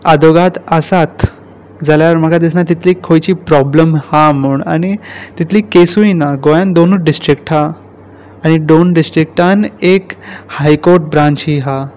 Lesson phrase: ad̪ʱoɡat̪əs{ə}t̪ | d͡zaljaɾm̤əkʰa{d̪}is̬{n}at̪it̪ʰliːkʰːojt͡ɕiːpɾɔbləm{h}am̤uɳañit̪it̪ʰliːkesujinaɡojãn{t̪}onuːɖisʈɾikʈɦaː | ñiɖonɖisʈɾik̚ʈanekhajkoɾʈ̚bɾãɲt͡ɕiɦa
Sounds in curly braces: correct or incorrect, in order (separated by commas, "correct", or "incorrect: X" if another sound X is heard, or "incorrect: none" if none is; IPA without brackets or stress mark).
incorrect: a, correct, correct, correct, incorrect: d̪